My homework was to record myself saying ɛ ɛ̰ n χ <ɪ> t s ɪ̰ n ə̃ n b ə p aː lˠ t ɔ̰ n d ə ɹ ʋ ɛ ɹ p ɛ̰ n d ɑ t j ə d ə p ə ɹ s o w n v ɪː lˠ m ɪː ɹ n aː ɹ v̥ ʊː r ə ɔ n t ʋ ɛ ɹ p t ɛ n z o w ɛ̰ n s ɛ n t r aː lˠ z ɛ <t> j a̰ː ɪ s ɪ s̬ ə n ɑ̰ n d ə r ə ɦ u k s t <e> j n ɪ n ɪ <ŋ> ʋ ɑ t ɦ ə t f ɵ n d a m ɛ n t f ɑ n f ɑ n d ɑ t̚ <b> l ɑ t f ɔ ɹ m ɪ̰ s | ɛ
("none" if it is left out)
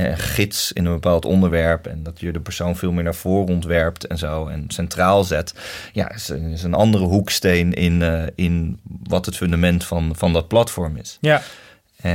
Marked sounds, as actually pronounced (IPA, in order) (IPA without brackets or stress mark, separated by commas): ɪ, t, e, n, p